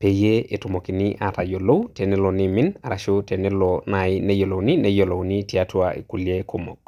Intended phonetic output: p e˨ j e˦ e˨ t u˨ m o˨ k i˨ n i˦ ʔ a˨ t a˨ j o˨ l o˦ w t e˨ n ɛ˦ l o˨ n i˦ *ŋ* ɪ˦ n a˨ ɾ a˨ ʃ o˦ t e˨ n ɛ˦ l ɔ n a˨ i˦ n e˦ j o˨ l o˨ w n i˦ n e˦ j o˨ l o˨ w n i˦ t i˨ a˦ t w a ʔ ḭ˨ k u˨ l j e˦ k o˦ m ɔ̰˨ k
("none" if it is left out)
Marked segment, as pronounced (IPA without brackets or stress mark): m